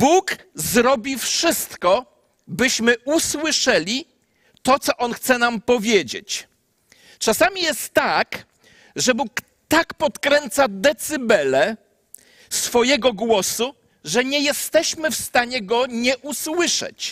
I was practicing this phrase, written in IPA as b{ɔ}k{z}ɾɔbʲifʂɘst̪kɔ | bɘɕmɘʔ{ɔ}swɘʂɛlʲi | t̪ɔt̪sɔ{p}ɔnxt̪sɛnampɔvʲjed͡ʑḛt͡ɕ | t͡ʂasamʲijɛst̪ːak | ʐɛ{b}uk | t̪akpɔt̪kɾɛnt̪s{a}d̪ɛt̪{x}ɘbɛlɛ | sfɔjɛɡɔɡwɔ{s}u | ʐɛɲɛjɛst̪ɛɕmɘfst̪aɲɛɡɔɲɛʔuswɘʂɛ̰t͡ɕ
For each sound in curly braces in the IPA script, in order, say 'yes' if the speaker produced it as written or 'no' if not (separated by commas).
no, yes, no, no, yes, yes, no, yes